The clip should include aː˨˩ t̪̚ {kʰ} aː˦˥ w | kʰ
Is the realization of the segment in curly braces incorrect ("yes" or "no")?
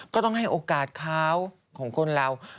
no